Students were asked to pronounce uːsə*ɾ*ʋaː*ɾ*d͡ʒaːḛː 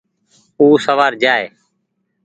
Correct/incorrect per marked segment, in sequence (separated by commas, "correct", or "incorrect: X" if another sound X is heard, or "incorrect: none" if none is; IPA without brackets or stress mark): incorrect: none, correct